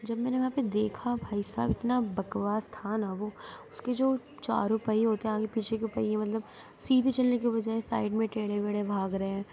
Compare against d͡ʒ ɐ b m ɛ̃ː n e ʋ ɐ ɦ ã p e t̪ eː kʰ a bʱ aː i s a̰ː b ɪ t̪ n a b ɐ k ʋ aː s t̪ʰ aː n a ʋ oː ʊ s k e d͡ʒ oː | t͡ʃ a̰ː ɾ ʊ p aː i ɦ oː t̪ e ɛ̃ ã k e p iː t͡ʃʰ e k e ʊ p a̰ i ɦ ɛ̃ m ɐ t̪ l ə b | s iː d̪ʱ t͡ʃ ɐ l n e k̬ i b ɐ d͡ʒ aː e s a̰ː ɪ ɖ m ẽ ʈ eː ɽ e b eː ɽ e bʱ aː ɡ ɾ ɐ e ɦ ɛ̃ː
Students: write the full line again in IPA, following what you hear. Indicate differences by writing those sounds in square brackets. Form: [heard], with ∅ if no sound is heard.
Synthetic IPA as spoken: d͡ʒ ɐ b m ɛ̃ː n e ʋ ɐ ɦ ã p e [d̪] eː kʰ a bʱ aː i s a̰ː b ɪ t̪ n a b ɐ k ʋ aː s t̪ʰ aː n a ʋ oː ʊ s k e d͡ʒ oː | t͡ʃ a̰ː ɾ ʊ p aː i ɦ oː t̪ e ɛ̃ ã k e p iː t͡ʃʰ e k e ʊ p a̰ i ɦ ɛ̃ m ɐ t̪ l ə b | s iː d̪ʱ t͡ʃ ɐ l n e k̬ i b ɐ d͡ʒ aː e s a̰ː ɪ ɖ m ẽ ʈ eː ɽ e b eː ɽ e bʱ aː ɡ ɾ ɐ e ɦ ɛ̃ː